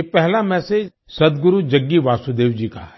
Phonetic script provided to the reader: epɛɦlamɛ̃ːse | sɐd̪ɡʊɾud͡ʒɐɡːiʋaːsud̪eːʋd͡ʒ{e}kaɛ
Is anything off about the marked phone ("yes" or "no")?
yes